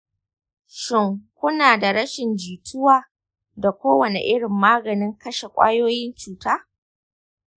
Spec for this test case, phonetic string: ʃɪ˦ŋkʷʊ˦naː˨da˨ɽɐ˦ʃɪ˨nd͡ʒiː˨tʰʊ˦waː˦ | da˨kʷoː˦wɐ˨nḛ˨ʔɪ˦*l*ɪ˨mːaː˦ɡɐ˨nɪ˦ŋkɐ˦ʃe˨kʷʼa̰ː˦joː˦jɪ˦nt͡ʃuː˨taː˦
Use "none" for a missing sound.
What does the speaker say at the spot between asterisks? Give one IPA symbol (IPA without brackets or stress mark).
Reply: ɽ